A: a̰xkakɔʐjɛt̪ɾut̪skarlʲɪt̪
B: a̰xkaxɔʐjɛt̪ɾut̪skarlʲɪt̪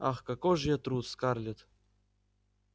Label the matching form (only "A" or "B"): A